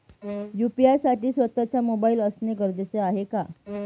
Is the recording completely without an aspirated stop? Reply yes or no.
yes